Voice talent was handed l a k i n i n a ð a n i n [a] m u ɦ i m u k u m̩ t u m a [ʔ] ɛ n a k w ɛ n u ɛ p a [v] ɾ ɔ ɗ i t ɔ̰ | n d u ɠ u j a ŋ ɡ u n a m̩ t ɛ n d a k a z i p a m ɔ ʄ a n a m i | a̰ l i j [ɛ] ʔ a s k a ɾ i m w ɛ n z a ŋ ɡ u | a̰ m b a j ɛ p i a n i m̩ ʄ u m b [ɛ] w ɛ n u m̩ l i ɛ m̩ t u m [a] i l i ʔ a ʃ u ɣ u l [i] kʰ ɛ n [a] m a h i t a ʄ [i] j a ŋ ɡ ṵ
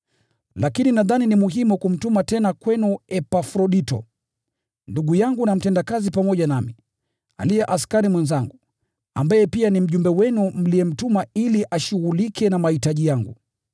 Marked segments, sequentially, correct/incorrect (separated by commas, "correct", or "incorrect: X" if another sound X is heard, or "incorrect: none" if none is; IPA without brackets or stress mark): incorrect: i, incorrect: t, incorrect: f, correct, correct, correct, correct, correct, correct